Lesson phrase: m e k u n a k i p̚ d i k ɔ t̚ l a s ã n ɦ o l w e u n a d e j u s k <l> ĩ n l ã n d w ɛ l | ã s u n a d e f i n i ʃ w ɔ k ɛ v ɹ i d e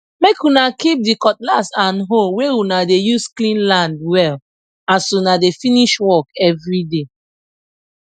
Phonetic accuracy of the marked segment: correct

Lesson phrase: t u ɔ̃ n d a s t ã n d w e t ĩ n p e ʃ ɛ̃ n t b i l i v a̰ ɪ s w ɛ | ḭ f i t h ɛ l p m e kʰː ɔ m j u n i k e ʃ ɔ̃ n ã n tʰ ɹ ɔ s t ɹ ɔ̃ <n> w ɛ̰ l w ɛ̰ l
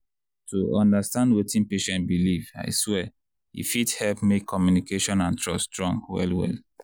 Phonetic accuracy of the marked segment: incorrect: ŋ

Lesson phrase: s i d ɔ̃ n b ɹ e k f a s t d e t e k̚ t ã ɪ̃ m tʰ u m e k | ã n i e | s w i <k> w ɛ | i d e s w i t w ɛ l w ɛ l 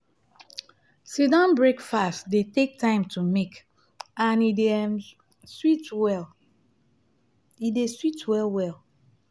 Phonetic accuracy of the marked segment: incorrect: t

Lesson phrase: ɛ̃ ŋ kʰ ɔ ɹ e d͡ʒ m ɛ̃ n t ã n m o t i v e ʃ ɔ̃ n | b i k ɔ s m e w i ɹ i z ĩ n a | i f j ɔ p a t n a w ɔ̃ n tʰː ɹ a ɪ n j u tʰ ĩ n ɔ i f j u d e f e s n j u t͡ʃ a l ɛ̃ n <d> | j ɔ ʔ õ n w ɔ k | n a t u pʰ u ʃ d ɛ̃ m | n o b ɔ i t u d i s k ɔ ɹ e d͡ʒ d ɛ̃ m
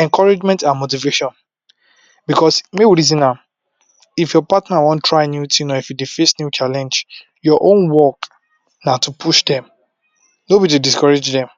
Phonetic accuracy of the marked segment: incorrect: d͡ʒ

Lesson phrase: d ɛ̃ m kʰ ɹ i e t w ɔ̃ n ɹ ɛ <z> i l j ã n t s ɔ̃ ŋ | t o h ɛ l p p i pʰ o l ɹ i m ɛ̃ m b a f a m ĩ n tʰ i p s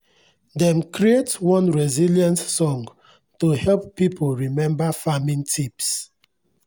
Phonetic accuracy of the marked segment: correct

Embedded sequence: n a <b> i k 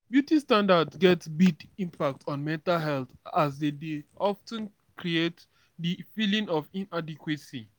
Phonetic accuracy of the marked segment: incorrect: d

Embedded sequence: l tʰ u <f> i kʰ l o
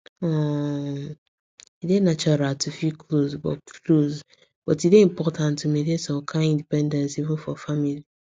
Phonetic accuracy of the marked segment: correct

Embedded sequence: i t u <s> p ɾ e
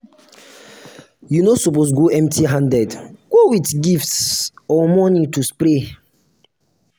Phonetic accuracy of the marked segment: correct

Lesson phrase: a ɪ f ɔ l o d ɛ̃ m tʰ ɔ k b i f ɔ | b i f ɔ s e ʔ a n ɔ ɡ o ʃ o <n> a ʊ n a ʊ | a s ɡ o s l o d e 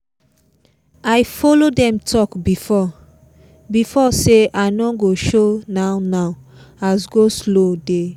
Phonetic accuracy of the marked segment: correct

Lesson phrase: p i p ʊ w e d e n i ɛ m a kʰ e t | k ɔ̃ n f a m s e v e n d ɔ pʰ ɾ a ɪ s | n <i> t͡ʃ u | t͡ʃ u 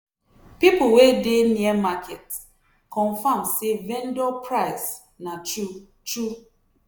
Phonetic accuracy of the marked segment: incorrect: a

